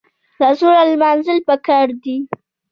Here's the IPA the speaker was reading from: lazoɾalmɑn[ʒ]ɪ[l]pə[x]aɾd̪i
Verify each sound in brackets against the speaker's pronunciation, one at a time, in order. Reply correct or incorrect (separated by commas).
incorrect, correct, incorrect